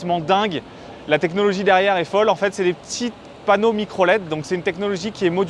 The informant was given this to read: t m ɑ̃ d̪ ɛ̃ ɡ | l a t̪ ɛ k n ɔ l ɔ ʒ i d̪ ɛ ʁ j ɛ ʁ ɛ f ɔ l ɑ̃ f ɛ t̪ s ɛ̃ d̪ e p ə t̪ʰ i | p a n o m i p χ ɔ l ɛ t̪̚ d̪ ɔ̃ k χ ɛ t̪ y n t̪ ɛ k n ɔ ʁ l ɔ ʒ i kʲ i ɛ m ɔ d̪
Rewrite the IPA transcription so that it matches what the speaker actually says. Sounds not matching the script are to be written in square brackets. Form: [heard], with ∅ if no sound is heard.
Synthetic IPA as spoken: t m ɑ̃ d̪ ɛ̃ ɡ | l a t̪ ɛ k n ɔ l ɔ ʒ i d̪ ɛ ʁ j ɛ ʁ ɛ f ɔ l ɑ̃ f ɛ t̪ s [ɛ] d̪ e p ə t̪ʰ i | p a n o m i [k] χ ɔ l ɛ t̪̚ d̪ ɔ̃ k [s] ɛ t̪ y n t̪ ɛ k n ɔ [∅] l ɔ ʒ i kʲ i ɛ m ɔ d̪